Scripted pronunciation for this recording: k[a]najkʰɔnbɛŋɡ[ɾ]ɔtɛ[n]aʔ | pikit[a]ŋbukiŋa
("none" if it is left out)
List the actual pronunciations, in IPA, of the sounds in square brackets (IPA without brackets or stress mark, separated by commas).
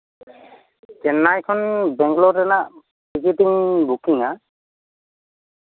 ɛ, l, n, i